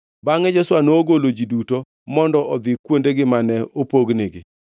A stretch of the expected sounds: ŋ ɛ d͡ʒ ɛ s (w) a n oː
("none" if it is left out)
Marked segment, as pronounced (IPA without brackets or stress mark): w